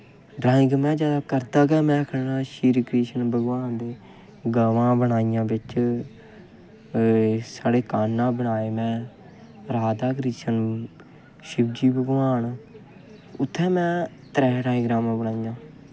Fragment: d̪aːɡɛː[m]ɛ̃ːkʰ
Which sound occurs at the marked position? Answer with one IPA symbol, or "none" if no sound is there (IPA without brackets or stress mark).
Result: m